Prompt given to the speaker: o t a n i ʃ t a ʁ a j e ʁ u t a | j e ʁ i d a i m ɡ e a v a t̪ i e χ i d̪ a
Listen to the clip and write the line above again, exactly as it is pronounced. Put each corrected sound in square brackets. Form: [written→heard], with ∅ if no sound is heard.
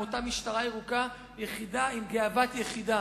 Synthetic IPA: o t a [n→m] i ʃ t a ʁ a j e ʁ u [t→k] a | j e [ʁ→χ] i d a i m ɡ e a v a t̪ [i→j] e χ i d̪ a